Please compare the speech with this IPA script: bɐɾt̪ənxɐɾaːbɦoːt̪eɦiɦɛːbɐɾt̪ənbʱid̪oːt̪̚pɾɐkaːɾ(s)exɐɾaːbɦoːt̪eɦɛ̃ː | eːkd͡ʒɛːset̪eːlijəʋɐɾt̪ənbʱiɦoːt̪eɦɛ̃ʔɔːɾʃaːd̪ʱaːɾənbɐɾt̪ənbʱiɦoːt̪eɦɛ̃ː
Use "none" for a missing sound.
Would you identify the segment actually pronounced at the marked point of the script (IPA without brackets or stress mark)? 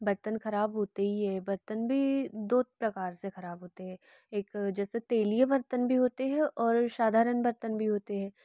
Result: s